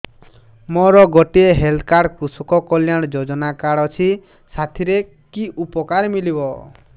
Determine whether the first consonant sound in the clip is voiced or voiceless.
voiced